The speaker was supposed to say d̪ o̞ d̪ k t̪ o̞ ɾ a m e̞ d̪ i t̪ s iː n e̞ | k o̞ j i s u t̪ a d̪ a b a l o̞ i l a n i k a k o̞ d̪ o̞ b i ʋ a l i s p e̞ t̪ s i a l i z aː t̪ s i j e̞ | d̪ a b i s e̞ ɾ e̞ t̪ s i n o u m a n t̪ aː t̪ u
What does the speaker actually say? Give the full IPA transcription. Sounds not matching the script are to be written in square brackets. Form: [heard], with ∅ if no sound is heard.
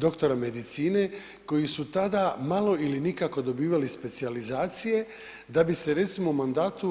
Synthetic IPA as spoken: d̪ o̞ [∅] k t̪ o̞ ɾ a m e̞ d̪ i t̪ s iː n e̞ | k o̞ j i s u t̪ a d̪ a [m] a l o̞ i l [i] n i k a k o̞ d̪ o̞ b [iː] ʋ a l i s p e̞ t̪ s i a l i z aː t̪ s i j e̞ | d̪ a b i s e̞ ɾ e̞ t̪ s i [m] o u m a n [d̪] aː t̪ u